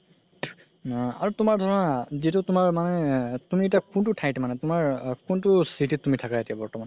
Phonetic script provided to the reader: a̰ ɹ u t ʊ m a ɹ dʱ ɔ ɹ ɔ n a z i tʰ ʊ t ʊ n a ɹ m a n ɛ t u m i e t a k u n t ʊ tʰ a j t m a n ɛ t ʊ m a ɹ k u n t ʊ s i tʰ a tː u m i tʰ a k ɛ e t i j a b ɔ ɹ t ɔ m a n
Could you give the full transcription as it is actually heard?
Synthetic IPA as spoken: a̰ ɹ u t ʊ m a ɹ dʱ ɔ ɹ ɔ n a z i t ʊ t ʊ m a ɹ m a n ɛ t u m i e t a k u n t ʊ tʰ a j t m a n ɛ t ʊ m a ɹ k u n t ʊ s i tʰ i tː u m i tʰ a k a e t i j a b ɔ ɹ t ɔ m a n

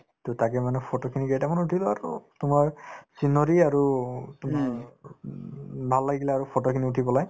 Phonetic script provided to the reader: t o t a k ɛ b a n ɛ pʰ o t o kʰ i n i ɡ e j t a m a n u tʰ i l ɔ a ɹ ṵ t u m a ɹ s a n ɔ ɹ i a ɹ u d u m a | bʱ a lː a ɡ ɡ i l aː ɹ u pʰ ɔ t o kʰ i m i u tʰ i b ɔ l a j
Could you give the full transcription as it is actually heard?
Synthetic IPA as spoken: t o t a k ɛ m a n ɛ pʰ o t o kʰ i n i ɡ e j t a m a n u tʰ i l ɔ a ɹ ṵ t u m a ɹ s i n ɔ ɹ i a ɹ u t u m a | bʱ a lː a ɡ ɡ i l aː ɹ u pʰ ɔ t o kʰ i n i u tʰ i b ɔ l a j

